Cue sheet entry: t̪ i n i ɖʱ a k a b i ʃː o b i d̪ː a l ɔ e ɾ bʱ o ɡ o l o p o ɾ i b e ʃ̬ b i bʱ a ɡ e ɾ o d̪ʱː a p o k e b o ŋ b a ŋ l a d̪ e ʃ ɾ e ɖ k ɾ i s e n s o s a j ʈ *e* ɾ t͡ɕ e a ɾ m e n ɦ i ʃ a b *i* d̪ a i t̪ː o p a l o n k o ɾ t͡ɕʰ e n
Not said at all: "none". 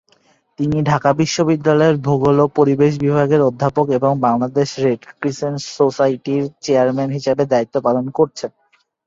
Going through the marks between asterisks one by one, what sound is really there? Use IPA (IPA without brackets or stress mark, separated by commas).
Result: i, e